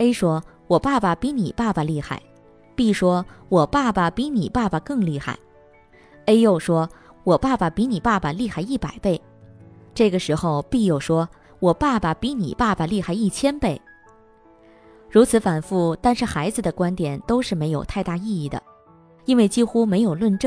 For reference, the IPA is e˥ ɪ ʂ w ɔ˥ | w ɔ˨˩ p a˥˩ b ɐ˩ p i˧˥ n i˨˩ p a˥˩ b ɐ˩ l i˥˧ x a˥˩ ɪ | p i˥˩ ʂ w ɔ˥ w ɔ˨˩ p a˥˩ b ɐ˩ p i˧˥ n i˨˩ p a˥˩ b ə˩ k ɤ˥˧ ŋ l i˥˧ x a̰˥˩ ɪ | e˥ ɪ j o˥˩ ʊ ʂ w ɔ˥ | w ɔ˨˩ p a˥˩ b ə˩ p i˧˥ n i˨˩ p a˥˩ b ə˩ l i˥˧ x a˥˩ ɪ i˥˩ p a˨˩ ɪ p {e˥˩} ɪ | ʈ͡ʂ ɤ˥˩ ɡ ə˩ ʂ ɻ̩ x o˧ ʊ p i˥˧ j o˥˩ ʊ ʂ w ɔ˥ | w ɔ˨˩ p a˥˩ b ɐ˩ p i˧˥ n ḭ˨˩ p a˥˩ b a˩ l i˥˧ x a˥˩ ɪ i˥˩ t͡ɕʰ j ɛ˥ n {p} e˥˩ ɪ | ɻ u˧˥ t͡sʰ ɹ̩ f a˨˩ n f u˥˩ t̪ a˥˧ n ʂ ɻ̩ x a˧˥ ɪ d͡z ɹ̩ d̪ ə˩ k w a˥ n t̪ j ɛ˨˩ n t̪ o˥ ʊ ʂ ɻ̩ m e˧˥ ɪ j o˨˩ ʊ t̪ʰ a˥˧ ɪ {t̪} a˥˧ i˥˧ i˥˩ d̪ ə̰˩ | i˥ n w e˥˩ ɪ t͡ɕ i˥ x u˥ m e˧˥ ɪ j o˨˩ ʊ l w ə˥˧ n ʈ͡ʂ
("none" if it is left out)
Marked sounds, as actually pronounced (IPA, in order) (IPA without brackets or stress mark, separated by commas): e˥˩, p, t̪